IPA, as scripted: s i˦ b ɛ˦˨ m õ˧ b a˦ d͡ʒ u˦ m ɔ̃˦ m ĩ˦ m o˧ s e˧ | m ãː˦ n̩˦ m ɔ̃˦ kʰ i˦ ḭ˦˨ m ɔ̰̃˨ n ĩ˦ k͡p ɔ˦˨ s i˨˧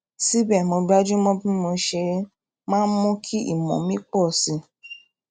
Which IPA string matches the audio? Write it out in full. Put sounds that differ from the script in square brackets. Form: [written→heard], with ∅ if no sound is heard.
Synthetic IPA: s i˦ b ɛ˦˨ m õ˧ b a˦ d͡ʒ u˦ m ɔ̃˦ [m→b] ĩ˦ m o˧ [s→ʃ] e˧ | m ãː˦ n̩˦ m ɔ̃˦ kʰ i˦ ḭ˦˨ m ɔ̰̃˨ [n→m] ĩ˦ k͡p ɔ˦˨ s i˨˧